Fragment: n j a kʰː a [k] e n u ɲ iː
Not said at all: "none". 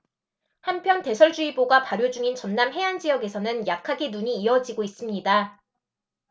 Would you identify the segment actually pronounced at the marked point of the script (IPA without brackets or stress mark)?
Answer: ɡ